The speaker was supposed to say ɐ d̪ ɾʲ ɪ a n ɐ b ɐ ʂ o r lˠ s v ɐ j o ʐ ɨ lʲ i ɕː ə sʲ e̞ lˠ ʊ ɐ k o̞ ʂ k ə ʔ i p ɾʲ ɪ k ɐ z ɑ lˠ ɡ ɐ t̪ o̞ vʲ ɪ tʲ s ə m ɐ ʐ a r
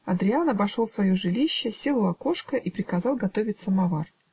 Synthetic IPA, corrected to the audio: ɐ d̪ ɾʲ ɪ a n ɐ b ɐ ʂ o lˠ s v ɐ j o ʐ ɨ lʲ i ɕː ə sʲ e̞ lˠ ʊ ɐ k o̞ ʂ k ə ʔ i p ɾʲ ɪ k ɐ z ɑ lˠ ɡ ɐ t̪ o̞ vʲ ɪ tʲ s ə m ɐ v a r